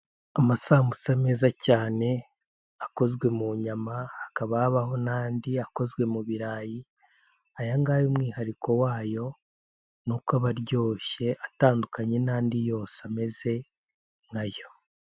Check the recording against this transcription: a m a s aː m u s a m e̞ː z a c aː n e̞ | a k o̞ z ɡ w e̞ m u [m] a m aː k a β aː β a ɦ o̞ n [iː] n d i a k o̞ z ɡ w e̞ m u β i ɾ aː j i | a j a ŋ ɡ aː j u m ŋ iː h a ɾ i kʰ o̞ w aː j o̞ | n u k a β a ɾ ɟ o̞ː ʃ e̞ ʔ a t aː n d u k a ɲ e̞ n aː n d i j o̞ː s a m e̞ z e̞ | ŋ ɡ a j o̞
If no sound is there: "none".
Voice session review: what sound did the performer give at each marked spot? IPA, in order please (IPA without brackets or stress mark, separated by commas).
ɲ, aː